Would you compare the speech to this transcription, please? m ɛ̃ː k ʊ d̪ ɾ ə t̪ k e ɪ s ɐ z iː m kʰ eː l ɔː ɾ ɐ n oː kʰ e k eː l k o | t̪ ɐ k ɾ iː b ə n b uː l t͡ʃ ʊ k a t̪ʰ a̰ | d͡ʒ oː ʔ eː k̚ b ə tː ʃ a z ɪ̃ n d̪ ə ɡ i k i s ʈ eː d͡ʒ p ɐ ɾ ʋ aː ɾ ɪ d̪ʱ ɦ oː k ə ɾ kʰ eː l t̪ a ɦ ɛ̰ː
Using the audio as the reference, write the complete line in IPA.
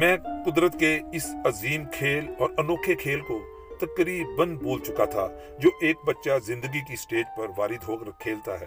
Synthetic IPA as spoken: m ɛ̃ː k ʊ d̪ ɾ ə t̪ k e ɪ s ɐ z iː m kʰ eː l ɔː ɾ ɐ n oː kʰ e kʰ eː l k o | t̪ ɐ k ɾ iː b ə n b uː l t͡ʃ ʊ k a t̪ʰ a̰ | d͡ʒ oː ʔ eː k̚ b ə tː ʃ a z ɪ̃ n d̪ ə ɡ i k i s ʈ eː d͡ʒ p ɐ ɾ ʋ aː ɾ ɪ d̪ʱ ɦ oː k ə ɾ kʰ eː l t̪ a ɦ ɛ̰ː